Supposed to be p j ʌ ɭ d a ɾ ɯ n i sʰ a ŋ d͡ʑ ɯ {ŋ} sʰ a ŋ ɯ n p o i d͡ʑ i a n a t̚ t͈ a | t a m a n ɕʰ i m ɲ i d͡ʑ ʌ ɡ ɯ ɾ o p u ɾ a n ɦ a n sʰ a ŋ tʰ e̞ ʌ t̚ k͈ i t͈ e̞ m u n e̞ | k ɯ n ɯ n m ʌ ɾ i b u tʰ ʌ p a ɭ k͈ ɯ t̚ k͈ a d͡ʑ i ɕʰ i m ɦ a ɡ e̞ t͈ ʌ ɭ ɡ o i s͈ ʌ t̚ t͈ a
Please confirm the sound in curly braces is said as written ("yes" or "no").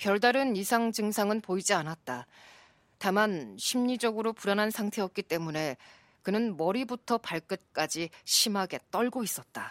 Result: yes